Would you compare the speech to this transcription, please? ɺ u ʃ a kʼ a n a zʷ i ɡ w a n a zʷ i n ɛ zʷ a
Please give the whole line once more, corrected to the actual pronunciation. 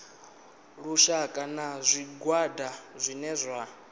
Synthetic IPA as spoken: ɺ u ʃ a kʼ a n a zʷ i ɡ w a d a zʷ i n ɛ zʷ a